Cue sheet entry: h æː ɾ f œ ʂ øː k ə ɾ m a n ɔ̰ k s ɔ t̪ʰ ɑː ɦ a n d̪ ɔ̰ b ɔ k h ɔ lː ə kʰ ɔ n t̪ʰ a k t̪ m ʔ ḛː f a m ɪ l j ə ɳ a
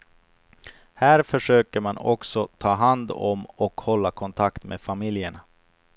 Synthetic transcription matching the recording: h æː ɾ f œ ʂ øː k ə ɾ m a n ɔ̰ k s ɔ t̪ʰ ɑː ɦ a n d̪ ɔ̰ m ɔ k h ɔ lː a kʰ ɔ n t̪ʰ a k t̪ m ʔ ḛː f a m ɪ l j ə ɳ a